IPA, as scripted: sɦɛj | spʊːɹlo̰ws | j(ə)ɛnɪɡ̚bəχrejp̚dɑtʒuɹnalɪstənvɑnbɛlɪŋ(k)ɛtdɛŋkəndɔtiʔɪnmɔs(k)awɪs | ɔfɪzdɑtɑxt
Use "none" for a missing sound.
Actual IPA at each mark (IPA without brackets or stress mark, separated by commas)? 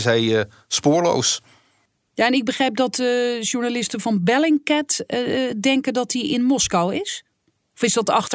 a, k, k